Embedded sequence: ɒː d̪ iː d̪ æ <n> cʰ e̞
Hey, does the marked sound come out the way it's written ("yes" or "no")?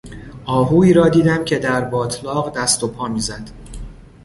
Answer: no